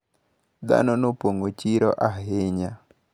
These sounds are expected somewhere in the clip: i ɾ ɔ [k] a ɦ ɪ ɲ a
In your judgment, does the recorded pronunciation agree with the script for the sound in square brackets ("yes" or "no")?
no